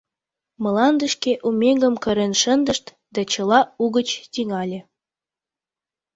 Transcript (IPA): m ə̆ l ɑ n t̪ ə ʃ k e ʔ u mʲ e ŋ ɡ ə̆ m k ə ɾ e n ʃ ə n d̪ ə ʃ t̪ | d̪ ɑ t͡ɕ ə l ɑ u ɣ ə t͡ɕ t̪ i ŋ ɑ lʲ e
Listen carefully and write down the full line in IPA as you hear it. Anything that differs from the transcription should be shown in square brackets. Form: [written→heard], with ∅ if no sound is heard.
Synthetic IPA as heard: m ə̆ l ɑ n [t̪→d̪] ə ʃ k e ʔ u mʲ e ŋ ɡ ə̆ m k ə ɾ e n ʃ ə n d̪ ə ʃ t̪ | d̪ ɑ t͡ɕ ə l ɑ u ɣ ə t͡ɕ t̪ i ŋ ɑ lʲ e